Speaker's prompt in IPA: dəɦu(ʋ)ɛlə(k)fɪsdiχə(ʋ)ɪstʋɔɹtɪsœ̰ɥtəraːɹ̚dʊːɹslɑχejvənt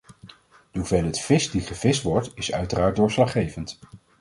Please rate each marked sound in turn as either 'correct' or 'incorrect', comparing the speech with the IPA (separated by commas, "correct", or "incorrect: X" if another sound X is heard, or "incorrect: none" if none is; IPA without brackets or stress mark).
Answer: incorrect: v, incorrect: t, incorrect: v